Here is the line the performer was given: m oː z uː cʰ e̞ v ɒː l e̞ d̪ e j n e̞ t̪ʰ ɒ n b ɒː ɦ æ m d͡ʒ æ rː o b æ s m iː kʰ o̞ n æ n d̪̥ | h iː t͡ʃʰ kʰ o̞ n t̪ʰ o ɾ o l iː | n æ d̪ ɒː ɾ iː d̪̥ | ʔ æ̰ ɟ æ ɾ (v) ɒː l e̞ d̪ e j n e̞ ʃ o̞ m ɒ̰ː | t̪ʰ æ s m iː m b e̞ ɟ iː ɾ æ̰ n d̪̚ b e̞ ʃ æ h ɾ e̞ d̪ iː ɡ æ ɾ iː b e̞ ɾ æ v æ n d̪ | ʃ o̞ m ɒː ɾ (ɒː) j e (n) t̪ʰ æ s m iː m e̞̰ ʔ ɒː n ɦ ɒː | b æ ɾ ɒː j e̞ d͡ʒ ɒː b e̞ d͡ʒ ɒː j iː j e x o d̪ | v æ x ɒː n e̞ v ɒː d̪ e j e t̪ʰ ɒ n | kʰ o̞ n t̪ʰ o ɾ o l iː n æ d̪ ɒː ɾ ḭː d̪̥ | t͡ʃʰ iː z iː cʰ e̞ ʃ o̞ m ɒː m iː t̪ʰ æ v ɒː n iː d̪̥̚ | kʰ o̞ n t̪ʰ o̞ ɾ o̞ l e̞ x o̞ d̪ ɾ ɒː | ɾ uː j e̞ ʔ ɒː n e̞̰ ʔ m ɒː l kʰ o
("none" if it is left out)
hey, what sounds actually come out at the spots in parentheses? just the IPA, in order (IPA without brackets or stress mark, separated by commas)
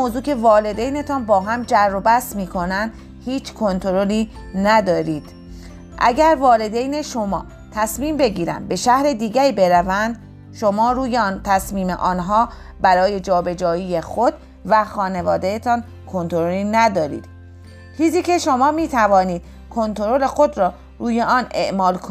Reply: v, uː, n